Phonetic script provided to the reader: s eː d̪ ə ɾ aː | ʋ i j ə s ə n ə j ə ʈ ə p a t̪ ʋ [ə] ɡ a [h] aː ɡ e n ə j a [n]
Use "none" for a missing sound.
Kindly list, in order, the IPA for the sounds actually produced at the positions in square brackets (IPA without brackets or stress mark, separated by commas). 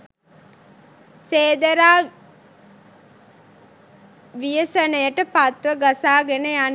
ə, s, n